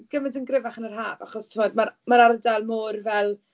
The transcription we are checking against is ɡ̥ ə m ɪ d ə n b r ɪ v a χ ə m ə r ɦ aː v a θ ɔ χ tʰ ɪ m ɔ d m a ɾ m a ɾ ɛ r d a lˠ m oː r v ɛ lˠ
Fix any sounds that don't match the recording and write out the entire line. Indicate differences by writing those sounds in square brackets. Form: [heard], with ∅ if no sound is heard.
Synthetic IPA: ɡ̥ ə m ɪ d ə n [ɡ] r ɪ v a χ ə [n] ə r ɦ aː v a [χ] ɔ [s] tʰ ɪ m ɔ d m a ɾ m a ɾ [a] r d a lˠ m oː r v ɛ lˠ